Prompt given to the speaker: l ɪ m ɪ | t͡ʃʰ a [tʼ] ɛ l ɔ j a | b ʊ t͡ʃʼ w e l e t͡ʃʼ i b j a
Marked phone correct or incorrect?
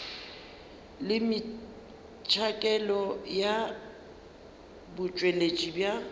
incorrect